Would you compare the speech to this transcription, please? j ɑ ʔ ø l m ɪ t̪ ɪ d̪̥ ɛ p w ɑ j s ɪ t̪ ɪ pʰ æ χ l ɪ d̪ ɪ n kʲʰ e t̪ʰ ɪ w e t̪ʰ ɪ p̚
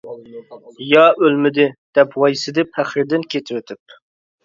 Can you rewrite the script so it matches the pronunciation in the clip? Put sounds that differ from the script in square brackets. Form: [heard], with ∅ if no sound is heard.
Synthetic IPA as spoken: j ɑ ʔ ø l m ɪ [d̪] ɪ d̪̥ ɛ p w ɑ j s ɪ [d̪] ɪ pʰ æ χ [ɾ] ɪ d̪ ɪ n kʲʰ e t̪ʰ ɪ w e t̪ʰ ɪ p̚